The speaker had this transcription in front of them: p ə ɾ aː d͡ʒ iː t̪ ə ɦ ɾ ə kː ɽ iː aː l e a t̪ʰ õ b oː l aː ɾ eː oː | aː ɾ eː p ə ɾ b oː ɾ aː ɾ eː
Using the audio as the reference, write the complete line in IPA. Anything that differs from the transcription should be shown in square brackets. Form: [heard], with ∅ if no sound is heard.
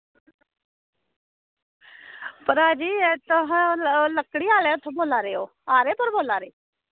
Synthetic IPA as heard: p ə ɾ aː d͡ʒ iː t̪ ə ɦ [l] ə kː ɽ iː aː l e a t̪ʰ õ b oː l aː ɾ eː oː | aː ɾ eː p ə ɾ b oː [l] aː ɾ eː